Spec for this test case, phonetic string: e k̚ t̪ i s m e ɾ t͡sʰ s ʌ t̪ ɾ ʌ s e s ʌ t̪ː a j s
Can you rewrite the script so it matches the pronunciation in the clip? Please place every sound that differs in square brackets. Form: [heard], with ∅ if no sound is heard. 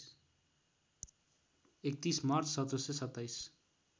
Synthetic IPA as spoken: e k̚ t̪ i s m [a] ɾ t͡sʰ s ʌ t̪ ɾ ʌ s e s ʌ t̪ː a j s